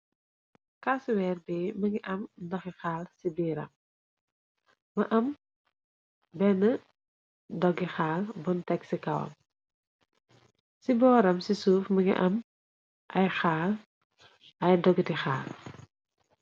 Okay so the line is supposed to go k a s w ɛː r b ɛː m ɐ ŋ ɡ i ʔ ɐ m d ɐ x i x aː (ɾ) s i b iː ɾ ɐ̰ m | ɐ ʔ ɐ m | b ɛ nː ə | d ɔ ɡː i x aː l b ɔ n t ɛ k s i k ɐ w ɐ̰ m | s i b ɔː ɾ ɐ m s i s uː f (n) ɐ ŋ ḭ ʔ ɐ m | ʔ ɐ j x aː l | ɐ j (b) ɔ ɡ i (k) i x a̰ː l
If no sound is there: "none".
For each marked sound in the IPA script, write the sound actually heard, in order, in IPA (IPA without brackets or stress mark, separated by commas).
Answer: l, m, d, t